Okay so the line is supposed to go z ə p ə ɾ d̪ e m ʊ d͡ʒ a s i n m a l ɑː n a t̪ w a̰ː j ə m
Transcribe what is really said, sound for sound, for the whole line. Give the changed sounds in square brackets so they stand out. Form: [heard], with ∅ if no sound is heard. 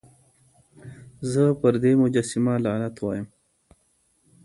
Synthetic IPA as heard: z ə p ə ɾ d̪ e m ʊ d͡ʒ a s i [∅] m a l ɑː n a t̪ w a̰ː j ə m